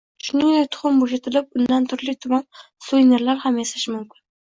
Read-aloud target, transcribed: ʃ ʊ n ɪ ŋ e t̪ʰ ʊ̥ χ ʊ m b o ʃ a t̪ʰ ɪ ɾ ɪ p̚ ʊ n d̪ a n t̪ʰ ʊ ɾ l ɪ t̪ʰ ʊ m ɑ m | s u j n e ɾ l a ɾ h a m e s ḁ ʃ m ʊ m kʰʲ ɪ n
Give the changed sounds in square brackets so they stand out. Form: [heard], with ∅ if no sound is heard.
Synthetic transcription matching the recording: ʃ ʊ n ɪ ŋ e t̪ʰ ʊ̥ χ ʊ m b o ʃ a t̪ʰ ɪ [l] ɪ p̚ ʊ n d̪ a n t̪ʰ ʊ ɾ l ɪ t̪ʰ ʊ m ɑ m | s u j n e ɾ l a ɾ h a m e s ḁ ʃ m ʊ m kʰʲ ɪ n